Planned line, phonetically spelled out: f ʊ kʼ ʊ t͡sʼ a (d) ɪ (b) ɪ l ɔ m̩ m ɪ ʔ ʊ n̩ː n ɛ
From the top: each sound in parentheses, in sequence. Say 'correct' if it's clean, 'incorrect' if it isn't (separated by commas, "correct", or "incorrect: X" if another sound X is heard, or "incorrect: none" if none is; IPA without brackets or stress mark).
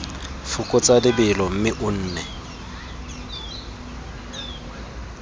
correct, correct